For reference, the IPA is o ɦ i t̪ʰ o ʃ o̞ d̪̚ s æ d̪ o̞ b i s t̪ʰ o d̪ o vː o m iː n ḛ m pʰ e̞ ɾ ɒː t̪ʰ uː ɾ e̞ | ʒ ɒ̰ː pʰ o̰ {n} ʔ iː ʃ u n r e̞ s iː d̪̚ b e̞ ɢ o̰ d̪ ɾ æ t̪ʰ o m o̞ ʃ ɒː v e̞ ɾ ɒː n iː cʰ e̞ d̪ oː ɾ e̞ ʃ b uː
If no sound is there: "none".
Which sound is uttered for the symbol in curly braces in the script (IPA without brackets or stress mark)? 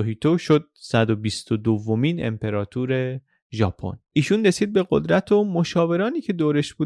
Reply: n